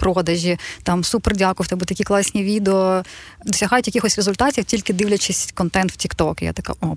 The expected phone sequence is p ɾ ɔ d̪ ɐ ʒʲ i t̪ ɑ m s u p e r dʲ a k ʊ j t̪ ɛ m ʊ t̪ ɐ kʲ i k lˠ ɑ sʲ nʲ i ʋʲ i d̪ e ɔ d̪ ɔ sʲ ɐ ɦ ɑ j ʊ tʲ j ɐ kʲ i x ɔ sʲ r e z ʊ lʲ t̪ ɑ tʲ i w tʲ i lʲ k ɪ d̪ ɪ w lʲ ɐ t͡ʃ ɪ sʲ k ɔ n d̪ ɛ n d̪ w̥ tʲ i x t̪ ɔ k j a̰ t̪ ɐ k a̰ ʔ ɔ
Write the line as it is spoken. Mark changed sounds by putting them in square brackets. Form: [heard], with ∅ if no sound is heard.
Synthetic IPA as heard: p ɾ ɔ d̪ ɐ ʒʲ i t̪ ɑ m s u p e r dʲ a k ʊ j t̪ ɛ [b] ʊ t̪ ɐ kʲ i k lˠ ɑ sʲ nʲ i ʋʲ i d̪ e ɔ d̪ ɔ sʲ ɐ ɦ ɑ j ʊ tʲ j ɐ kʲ i x ɔ sʲ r e z ʊ lʲ t̪ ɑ tʲ i w tʲ i lʲ k ɪ d̪ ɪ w lʲ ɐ t͡ʃ ɪ sʲ k ɔ n [t̪] ɛ n [t̪] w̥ tʲ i [k] t̪ ɔ k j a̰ t̪ ɐ k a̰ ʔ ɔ